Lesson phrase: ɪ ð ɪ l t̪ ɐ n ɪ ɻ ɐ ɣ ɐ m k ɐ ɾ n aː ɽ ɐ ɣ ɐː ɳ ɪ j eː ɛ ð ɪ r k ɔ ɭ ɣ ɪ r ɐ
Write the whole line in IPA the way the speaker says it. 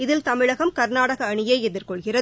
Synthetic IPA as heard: ɪ ð ɪ l t̪ ɐ m ɪ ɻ ɐ ɣ ɐ m k ɐ ɾ n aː ɽ ɐ ɣ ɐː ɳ ɪ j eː ɛ ð ɪ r k ɔ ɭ ɣ ɪ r ɐ